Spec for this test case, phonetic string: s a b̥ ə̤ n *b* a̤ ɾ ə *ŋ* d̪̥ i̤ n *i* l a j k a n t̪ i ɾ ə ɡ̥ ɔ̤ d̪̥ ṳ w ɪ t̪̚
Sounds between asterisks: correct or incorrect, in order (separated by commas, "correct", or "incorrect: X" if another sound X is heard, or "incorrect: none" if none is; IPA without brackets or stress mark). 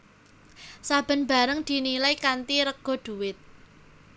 correct, correct, correct